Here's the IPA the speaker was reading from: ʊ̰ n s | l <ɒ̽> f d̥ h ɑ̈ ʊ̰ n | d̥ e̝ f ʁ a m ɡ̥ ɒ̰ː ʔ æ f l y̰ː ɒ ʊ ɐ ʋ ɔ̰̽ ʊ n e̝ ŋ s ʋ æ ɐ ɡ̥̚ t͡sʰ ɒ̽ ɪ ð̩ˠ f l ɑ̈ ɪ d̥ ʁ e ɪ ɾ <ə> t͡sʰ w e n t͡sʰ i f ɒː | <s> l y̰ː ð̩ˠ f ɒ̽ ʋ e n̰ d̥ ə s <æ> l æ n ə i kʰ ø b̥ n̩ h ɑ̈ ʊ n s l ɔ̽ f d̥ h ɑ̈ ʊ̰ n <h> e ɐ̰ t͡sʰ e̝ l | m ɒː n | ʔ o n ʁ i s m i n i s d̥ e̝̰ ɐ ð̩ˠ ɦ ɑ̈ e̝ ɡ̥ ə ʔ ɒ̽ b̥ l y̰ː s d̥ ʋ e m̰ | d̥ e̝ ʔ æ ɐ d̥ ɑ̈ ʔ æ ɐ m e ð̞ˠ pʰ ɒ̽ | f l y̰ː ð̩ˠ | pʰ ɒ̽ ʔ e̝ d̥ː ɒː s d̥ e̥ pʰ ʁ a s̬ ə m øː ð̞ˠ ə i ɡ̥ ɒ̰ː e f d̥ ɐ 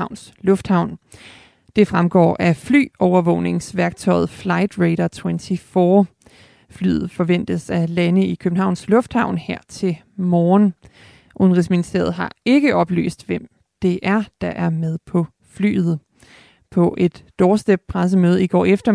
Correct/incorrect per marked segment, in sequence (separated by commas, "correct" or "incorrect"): incorrect, incorrect, incorrect, correct, correct